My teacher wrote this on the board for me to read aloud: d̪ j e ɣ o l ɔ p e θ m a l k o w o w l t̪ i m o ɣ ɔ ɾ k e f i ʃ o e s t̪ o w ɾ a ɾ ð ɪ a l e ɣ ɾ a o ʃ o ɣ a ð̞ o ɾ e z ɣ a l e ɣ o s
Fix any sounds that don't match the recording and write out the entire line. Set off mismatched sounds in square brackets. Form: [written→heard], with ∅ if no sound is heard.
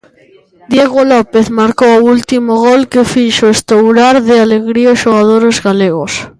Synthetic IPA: d̪ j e ɣ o l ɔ p e θ m a [l→ɾ] k o w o [w→u] l t̪ i m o ɣ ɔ [ɾ→l] k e f i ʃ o e s t̪ o w ɾ a ɾ ð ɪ a l e ɣ ɾ [a→i] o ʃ o ɣ a ð̞ o ɾ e z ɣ a l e ɣ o s

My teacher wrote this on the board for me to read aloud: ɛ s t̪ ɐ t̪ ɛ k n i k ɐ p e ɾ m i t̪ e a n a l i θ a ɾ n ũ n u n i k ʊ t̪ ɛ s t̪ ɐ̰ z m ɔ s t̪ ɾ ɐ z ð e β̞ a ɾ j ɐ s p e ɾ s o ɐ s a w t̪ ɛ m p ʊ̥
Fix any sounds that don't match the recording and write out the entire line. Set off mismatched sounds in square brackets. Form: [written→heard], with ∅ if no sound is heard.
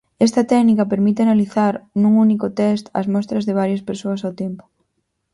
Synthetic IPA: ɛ s t̪ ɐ t̪ ɛ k n i k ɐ p e ɾ m i t̪ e a n a l i θ a ɾ n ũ [n→ŋ] u n i k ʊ t̪ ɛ s t̪ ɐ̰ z m ɔ s t̪ ɾ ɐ z ð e β̞ a ɾ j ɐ s p e ɾ s o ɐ s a w t̪ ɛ m p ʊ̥

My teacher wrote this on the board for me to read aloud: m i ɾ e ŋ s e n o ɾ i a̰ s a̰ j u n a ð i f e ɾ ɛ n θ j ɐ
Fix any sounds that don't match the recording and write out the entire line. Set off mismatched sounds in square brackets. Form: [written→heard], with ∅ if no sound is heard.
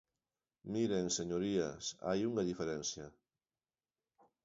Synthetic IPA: m i ɾ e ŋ s e [n→ɲ] o ɾ i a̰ s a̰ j u [n→ŋ] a ð i f e ɾ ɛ n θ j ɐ

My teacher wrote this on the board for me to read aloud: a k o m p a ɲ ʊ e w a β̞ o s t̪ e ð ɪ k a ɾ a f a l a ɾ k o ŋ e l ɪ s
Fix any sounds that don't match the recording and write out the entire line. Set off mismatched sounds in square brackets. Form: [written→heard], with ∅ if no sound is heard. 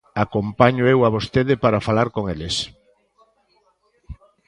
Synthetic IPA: a k o m p a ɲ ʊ e w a β̞ o s t̪ e ð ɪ [k→p] a ɾ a f a l a ɾ k o ŋ e l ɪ s

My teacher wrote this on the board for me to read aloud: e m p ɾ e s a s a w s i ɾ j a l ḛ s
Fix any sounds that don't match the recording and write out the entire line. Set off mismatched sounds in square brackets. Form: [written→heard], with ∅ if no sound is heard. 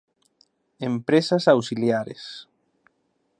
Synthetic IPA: e m p ɾ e s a s a w s i [ɾ→l] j a [l→ɾ] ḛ s

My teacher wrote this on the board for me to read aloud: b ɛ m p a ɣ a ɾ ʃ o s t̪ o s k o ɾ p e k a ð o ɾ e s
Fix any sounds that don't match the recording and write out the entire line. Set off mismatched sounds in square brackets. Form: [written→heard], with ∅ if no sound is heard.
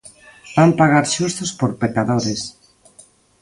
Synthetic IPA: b [ɛ→a] m p a ɣ a ɾ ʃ [o→u] s t̪ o s [k→p] o ɾ p e k a ð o ɾ e s

